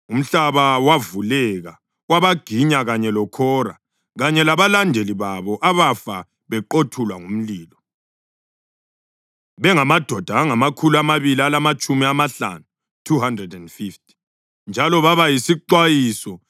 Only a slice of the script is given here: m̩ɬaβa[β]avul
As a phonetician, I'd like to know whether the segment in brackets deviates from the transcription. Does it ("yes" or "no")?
yes